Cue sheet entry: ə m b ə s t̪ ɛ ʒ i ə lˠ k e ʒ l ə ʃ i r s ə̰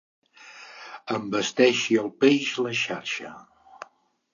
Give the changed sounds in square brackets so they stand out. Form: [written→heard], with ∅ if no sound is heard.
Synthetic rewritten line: ə m b ə s t̪ ɛ [ʒ→ʃ] i ə lˠ [k→p] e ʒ l ə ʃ [i→a] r [s→ʃ] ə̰